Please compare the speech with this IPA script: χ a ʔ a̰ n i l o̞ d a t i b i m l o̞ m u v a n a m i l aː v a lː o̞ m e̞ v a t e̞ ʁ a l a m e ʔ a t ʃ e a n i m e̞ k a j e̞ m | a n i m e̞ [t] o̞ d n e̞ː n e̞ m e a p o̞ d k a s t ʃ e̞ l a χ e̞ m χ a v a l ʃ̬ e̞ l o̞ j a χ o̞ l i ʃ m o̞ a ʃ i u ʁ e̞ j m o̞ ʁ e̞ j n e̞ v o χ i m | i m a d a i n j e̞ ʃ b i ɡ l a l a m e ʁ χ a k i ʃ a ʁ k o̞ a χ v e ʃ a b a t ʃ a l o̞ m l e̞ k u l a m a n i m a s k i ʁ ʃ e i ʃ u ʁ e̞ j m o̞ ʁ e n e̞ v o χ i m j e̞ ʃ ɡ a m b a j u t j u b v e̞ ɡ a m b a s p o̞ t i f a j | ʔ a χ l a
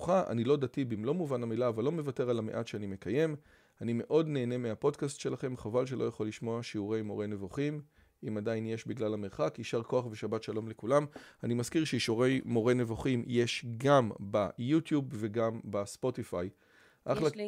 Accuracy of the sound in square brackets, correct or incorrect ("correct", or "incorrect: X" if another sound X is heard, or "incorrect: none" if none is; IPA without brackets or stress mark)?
incorrect: ʔ